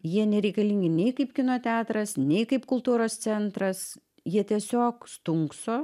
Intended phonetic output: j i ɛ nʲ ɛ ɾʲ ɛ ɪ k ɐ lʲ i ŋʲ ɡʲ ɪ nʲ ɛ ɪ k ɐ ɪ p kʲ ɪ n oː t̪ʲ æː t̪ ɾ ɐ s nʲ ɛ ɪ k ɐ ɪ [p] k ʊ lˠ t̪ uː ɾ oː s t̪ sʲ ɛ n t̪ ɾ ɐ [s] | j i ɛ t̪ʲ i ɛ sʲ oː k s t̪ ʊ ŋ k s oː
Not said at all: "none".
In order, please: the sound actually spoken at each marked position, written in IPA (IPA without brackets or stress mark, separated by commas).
p, s